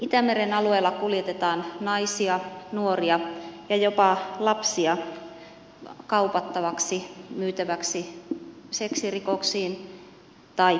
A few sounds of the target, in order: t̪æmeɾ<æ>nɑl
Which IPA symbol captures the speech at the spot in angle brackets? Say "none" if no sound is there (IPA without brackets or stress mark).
e